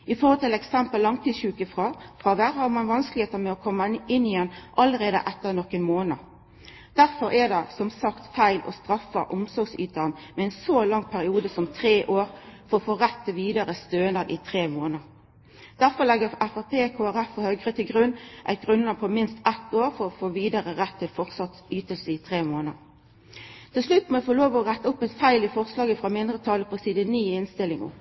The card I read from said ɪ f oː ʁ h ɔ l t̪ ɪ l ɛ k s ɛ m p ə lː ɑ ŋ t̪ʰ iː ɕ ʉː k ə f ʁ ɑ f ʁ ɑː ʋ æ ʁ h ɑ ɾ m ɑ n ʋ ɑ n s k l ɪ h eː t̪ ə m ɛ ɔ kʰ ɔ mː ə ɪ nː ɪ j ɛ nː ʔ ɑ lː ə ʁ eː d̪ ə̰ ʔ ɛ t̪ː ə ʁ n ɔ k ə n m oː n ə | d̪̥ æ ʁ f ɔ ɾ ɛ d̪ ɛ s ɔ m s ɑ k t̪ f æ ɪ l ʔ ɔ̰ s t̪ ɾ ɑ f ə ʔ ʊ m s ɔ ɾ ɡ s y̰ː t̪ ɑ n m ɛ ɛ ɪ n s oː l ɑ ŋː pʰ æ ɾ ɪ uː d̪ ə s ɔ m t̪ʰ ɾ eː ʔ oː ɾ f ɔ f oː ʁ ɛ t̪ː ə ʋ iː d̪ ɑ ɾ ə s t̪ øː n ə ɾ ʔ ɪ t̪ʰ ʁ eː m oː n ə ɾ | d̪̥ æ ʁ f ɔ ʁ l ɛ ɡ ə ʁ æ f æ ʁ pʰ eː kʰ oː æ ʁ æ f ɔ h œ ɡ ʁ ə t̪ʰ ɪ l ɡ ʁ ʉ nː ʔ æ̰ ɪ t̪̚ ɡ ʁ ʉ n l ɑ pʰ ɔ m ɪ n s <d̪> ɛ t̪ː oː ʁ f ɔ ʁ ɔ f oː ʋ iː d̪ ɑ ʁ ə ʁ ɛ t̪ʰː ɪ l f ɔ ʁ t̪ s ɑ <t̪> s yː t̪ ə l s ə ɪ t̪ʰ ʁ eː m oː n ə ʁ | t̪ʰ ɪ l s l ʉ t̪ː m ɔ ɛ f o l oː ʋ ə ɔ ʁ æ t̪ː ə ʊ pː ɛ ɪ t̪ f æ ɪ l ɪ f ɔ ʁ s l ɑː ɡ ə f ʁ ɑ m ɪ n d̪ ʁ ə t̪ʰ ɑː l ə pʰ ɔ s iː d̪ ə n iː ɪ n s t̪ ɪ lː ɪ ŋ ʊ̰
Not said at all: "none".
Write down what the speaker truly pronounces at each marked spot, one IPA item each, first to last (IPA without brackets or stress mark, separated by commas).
t̪, t̪